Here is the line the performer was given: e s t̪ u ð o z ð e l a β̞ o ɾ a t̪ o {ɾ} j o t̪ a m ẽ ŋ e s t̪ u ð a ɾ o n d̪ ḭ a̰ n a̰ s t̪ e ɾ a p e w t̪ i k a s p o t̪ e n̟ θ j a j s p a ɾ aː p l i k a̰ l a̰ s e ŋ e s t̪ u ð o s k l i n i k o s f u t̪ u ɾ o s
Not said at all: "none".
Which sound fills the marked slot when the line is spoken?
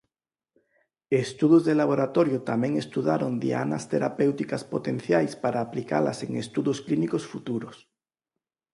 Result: ɾ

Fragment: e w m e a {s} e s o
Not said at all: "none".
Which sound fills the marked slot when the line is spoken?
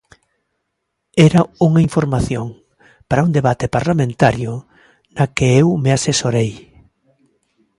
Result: s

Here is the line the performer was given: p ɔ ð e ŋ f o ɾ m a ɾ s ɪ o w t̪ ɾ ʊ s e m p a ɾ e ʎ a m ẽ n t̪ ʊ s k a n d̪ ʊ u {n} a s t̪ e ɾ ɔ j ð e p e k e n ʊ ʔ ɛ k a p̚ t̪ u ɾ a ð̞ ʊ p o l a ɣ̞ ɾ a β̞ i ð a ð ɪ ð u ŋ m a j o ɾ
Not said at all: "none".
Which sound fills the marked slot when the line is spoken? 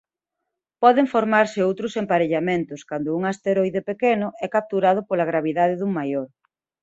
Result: ŋ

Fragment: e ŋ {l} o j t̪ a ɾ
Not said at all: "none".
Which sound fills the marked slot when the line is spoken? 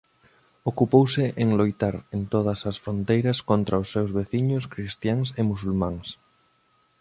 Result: l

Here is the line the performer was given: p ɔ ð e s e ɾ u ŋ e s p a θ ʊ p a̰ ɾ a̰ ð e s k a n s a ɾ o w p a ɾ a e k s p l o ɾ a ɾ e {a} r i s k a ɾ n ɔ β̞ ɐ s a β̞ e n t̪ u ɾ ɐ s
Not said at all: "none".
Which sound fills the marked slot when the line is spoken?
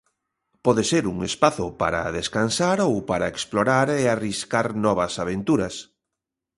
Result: a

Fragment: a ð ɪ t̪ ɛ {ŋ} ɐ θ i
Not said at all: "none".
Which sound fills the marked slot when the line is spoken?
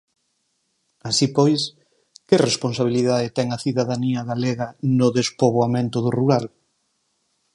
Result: ŋ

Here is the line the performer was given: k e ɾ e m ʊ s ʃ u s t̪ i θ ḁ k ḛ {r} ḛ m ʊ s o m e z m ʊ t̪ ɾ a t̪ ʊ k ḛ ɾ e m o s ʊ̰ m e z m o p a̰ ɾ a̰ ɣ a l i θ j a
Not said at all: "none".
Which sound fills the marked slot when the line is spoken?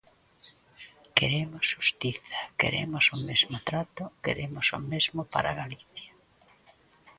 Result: ɾ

